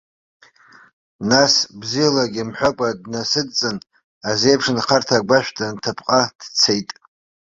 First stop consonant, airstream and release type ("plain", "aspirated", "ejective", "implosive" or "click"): plain